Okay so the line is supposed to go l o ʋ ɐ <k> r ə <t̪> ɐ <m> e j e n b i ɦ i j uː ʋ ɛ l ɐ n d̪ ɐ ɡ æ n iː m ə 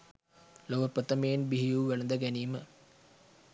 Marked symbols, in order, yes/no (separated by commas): no, yes, yes